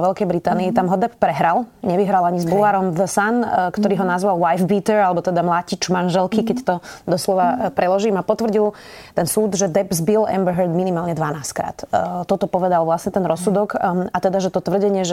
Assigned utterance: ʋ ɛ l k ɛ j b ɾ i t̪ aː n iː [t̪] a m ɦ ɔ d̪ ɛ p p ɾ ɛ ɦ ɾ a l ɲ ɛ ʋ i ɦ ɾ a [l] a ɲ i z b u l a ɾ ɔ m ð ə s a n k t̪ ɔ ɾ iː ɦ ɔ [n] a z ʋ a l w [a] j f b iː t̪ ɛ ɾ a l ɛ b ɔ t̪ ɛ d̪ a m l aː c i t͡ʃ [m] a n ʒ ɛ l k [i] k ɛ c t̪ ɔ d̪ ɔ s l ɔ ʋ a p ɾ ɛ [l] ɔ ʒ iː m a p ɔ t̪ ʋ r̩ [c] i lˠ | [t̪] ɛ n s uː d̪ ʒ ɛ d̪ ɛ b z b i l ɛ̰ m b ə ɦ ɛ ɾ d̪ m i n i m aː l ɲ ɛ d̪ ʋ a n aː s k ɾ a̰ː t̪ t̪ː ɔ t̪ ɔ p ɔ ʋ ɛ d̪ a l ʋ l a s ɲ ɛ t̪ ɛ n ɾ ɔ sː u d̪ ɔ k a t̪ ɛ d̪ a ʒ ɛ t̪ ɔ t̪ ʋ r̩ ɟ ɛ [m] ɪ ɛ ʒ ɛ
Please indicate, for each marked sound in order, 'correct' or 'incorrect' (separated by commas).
correct, correct, correct, correct, correct, correct, correct, incorrect, correct, incorrect